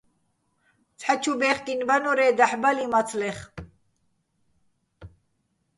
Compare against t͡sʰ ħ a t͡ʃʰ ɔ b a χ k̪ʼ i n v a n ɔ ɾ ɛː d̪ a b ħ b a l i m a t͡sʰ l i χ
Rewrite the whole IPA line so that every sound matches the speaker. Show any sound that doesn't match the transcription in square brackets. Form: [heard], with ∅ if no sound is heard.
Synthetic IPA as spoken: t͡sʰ ħ a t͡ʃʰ [u] b [ɛ] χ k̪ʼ i n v a n ɔ ɾ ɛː d̪ a [∅] ħ b a l i m a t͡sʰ l [ɛ] χ